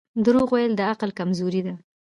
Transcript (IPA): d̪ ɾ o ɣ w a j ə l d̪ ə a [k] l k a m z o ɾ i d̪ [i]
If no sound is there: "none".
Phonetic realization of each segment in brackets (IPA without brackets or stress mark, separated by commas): q, a